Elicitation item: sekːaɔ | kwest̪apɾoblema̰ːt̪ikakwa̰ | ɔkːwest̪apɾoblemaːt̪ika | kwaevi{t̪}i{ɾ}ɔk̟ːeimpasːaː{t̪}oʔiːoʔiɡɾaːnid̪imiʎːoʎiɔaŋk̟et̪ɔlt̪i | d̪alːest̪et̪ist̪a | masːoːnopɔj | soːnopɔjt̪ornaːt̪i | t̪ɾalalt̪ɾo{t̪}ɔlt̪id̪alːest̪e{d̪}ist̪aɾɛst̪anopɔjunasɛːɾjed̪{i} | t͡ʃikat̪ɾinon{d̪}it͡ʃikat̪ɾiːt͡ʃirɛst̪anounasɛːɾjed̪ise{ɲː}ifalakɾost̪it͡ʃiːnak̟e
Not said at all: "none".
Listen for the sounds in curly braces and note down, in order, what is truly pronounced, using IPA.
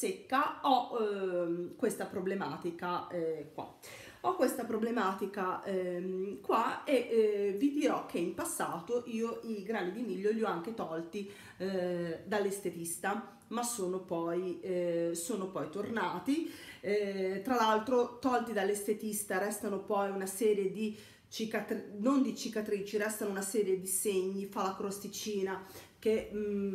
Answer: d̪, ɾ, t̪, t̪, t̪, i, d̪, ɲː

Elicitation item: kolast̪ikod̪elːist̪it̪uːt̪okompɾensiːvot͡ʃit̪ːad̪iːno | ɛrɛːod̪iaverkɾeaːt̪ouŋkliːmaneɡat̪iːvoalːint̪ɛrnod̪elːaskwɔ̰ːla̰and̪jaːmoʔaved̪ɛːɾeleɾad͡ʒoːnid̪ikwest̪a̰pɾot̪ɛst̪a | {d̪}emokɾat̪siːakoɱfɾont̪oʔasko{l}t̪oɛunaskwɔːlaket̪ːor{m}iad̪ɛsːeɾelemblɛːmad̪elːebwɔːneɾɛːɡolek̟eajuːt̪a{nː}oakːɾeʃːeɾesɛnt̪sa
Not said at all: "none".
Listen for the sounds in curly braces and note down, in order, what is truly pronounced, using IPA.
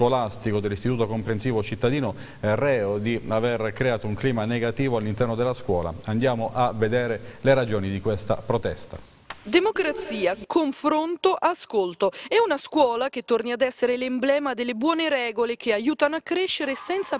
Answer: d̪, l, n, n

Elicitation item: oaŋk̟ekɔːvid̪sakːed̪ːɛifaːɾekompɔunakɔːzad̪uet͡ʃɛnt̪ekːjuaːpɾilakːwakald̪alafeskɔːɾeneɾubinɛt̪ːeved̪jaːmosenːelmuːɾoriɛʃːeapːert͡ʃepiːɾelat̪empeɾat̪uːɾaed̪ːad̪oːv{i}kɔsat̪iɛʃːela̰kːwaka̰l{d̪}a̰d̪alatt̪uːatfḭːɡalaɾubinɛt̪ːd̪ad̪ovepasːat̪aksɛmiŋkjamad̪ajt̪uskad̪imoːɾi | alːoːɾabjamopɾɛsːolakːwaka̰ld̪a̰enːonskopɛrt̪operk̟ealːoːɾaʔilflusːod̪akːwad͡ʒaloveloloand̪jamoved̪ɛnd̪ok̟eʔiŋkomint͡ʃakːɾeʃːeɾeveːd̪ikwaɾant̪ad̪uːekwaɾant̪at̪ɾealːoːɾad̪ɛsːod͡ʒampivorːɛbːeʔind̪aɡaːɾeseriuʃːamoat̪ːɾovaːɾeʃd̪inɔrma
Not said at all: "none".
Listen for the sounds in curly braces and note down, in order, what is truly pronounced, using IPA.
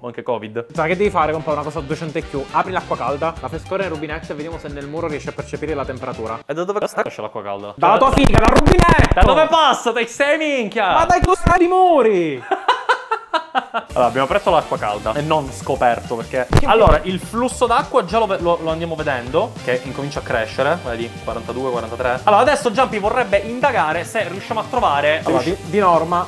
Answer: e, d̪

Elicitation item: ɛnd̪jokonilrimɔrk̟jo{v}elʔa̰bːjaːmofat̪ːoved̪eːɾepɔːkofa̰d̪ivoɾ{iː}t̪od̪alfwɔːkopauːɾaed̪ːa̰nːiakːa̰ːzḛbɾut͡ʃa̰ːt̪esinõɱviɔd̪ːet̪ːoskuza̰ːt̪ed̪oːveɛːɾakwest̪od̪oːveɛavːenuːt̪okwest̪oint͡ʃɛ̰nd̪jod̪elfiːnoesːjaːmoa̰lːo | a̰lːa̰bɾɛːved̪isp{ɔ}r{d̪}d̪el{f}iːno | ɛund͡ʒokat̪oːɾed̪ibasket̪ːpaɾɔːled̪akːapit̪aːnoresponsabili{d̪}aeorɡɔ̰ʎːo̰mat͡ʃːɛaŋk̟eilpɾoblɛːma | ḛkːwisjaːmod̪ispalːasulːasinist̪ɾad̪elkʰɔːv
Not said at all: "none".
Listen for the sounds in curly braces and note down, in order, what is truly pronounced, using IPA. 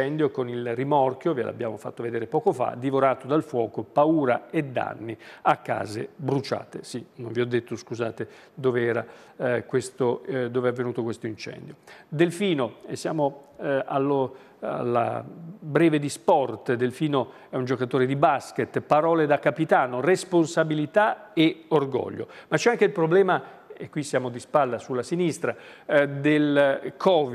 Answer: v, aː, ɔ, t̪, f, t̪

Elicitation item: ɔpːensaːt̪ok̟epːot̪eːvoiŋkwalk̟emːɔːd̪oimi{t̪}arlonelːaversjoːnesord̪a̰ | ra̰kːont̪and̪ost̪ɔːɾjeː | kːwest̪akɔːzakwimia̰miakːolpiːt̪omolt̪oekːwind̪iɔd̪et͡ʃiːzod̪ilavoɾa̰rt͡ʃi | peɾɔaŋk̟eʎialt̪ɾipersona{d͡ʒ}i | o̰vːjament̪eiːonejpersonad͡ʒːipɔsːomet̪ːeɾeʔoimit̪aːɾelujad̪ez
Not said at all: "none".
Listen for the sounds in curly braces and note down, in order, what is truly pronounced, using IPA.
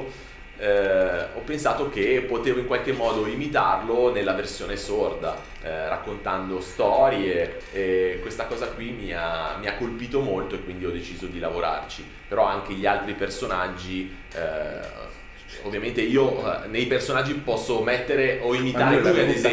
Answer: t̪, d͡ʒː

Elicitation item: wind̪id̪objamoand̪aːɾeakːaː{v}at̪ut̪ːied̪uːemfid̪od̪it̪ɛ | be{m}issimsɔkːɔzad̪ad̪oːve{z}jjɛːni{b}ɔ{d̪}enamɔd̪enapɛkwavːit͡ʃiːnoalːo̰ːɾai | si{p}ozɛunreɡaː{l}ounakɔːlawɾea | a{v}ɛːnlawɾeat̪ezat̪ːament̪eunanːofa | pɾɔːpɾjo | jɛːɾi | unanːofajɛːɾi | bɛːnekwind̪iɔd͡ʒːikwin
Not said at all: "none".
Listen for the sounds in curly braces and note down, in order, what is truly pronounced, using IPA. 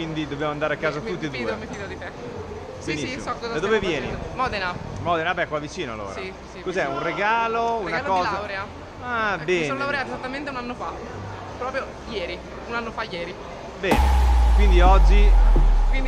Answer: z, n, v, m, d̪, k, l, b

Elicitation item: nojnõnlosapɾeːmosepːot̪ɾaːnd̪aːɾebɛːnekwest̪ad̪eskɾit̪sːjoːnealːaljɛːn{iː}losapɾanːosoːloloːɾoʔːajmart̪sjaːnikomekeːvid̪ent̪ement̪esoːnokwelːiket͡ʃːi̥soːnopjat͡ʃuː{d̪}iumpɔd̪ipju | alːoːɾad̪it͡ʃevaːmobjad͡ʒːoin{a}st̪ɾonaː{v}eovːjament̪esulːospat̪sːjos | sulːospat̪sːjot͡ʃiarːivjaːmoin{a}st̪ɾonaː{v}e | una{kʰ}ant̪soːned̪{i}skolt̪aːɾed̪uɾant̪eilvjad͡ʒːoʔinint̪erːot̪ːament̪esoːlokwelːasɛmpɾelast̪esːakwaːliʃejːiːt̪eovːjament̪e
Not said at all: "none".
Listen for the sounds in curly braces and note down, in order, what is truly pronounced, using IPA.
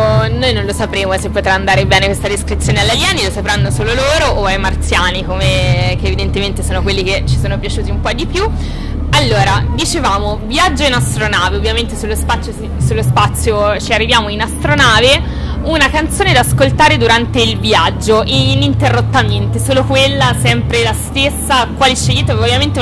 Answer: i, t̪, a, v, a, v, k, a

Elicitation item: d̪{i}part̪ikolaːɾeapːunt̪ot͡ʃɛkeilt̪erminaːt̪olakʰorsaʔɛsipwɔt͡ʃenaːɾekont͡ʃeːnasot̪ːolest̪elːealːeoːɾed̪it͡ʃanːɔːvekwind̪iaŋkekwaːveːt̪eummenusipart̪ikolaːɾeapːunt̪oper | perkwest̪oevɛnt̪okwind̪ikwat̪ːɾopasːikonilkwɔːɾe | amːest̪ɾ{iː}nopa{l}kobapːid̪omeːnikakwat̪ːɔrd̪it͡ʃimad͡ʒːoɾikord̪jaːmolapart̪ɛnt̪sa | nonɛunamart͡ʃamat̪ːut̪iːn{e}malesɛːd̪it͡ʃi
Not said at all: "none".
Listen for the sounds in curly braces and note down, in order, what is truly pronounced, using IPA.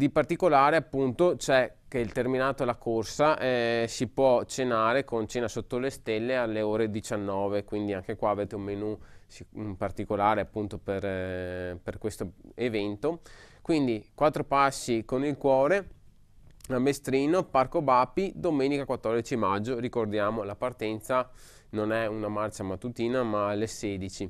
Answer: i, iː, r, a

